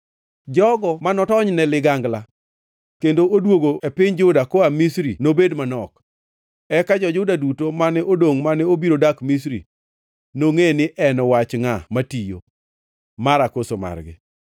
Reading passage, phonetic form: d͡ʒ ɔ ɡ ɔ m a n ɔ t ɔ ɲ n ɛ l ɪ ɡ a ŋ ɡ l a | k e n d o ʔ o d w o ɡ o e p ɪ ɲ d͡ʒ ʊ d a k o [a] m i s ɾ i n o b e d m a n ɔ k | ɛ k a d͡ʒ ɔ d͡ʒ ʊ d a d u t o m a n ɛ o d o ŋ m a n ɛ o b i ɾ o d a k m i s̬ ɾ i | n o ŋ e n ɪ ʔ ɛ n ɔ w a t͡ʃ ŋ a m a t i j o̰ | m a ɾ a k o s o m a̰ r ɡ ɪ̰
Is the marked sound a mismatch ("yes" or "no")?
no